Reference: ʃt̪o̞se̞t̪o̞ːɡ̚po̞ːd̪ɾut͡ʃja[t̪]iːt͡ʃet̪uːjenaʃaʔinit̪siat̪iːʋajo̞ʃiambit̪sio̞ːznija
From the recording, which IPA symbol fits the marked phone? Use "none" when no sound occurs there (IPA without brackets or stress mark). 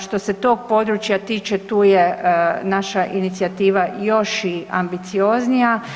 t̪